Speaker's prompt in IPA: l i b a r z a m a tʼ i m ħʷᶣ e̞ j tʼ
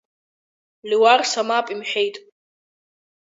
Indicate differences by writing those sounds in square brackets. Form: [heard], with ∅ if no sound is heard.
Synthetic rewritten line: l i [w] a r [s] a m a [pʼ] i m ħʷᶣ e̞ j tʼ